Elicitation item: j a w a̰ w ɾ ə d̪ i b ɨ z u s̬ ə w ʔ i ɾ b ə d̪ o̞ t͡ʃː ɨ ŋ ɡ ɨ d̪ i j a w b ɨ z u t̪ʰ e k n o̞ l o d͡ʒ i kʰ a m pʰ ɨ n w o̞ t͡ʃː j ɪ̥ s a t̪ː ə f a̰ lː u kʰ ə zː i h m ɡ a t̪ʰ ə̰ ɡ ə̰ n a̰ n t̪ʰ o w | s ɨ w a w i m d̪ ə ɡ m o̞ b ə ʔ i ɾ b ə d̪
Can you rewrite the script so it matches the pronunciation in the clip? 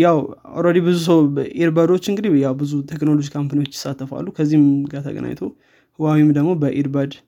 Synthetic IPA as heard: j a w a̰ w ɾ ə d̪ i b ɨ z u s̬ ə w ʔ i ɾ b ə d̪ o̞ t͡ʃː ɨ ŋ ɡ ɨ d̪ i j a w b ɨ z u t̪ʰ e k n o̞ l o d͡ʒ i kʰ a m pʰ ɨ n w o̞ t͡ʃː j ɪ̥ s a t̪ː ə f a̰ lː u kʰ ə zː i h m ɡ a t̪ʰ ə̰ ɡ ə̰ n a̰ ɲ t̪ʰ o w | h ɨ w a w i m d̪ ə ɡ m o̞ b ə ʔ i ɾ b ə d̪